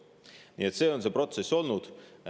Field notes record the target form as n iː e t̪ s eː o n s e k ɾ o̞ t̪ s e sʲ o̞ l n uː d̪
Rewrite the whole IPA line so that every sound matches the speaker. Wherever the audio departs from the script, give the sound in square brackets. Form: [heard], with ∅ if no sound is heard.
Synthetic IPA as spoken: n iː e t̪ s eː o n s e [p] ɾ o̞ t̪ s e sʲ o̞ l n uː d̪